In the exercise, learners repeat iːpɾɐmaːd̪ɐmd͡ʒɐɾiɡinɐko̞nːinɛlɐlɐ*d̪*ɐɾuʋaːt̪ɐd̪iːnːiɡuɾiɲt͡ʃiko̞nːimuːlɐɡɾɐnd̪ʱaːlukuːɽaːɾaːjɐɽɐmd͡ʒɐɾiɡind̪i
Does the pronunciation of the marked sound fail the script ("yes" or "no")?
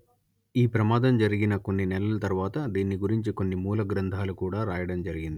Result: yes